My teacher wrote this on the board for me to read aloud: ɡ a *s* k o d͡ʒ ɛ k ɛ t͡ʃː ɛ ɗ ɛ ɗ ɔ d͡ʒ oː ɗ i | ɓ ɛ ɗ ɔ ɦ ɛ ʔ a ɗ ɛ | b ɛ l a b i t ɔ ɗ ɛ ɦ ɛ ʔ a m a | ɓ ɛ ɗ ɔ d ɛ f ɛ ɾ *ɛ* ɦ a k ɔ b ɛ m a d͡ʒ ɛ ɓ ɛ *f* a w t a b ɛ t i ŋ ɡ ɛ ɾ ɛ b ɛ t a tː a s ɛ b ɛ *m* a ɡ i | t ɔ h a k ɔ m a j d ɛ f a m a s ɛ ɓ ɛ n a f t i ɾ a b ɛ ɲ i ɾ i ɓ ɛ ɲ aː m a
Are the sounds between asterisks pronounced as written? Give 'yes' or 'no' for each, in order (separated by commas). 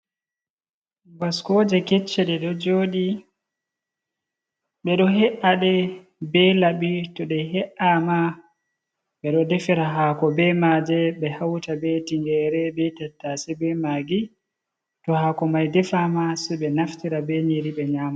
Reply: yes, no, no, yes